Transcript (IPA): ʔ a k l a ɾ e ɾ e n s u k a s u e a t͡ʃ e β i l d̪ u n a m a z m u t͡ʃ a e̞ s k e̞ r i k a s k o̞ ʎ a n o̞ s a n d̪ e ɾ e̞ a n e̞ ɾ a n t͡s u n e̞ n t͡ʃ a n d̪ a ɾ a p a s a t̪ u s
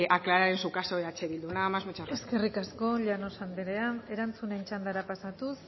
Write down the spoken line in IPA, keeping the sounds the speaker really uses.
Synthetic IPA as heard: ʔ a k l a ɾ a ɾ e n s u k a s o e a t͡ʃ e β i l d̪ u n a m a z m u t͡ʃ a e̞ s k e̞ r i k a s k o̞ ʎ a n o̞ s a n d̪ e ɾ e̞ a n e̞ ɾ a n t͡s u n e̞ n t͡ʃ a n d̪ a ɾ a p a s a t̪ u s